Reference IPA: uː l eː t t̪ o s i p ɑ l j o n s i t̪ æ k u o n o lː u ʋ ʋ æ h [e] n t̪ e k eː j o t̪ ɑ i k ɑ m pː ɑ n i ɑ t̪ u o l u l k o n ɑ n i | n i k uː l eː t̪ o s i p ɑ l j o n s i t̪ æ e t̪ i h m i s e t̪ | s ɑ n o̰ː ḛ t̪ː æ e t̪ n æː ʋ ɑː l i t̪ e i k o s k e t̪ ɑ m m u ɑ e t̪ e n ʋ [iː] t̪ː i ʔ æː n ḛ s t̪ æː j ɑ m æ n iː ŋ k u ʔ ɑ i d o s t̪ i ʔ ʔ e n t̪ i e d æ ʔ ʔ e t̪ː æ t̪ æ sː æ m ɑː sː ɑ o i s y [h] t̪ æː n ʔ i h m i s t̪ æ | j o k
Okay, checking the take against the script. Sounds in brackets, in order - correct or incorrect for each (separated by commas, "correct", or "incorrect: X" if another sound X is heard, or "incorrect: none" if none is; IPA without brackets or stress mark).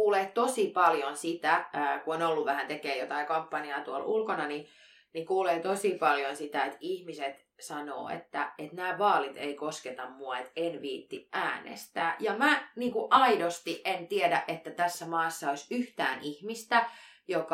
incorrect: æ, correct, correct